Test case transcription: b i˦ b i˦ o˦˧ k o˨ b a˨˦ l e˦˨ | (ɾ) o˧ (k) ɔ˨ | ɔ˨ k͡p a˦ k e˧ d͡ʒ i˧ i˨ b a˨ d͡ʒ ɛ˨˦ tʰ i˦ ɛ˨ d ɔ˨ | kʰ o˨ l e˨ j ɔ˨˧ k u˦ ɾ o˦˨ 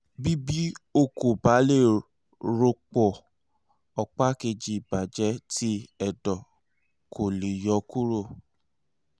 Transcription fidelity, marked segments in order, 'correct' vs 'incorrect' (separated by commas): correct, incorrect